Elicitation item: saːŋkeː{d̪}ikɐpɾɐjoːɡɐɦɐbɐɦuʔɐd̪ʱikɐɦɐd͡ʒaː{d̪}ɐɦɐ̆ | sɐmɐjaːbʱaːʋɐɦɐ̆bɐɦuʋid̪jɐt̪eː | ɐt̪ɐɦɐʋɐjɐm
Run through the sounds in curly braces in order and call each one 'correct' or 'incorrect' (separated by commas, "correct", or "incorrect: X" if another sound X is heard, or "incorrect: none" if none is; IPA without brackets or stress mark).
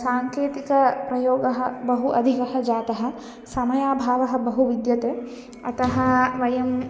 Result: incorrect: t̪, incorrect: t̪